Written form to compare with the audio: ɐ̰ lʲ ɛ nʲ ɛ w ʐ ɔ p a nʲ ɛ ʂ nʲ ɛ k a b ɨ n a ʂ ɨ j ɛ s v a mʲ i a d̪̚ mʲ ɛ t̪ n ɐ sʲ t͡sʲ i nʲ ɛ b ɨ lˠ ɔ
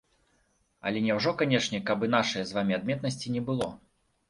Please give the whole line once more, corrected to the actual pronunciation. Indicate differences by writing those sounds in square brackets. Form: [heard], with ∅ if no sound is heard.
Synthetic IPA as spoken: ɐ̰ lʲ ɛ nʲ ɛ w ʐ ɔ [k] a nʲ ɛ ʂ nʲ ɛ k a b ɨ n a ʂ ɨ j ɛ [z] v a mʲ i a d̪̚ mʲ ɛ t̪ n ɐ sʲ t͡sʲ i nʲ ɛ b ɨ lˠ ɔ